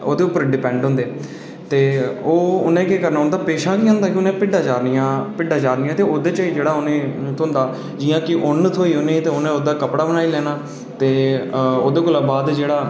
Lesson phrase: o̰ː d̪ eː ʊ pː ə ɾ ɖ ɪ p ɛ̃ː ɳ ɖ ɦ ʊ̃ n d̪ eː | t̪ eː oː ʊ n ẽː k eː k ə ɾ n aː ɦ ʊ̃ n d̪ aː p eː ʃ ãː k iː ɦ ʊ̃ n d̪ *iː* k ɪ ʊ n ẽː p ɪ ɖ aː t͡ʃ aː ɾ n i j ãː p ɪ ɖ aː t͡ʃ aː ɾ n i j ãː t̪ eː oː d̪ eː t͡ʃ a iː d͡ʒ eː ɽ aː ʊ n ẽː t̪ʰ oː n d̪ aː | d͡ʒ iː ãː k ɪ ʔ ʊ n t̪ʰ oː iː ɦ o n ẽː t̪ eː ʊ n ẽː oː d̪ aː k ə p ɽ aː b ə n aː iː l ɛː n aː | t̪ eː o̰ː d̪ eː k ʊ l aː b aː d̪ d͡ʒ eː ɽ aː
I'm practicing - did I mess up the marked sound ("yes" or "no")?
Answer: yes